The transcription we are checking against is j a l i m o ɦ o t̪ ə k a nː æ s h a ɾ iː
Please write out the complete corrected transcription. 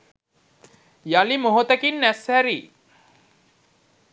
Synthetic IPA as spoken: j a l i m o ɦ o t̪ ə k i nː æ s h æ ɾ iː

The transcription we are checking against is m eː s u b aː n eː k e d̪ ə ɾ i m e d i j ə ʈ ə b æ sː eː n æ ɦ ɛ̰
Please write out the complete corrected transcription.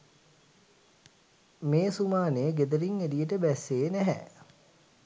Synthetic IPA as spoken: m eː s u m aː n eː ɡ e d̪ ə ɾ i ŋ e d i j ə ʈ ə b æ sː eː n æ ɦ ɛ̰

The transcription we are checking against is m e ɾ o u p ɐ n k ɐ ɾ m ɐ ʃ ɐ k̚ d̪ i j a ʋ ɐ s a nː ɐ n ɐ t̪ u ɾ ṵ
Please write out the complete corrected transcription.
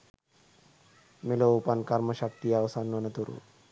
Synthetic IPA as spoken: m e l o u p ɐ n k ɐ ɾ m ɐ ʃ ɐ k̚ t̪ i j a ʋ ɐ s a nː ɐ n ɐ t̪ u ɾ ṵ

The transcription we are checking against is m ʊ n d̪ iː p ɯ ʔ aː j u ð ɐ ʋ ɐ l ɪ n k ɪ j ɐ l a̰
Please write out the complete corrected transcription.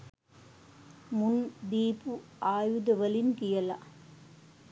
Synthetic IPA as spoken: m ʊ n d̪ iː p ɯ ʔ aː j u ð ɐ ʋ ɐ l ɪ n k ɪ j ɐ l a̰

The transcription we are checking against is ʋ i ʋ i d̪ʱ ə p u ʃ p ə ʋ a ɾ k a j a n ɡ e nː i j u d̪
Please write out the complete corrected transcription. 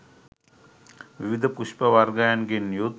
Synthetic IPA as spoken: ʋ i ʋ i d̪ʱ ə p u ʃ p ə ʋ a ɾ ɡ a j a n ɡ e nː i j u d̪

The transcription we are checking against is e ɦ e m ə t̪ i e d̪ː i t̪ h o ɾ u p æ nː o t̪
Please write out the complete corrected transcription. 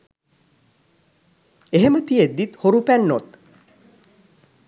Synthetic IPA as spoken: e ɦ e m ə t̪ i e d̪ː i t̪ h o ɾ u p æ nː o t̪

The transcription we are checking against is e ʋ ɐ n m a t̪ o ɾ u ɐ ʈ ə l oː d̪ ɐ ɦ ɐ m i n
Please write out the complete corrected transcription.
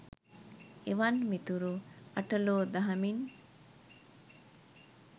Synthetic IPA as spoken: e ʋ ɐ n m i t̪ u ɾ u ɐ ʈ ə l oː d̪ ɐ ɦ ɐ m i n

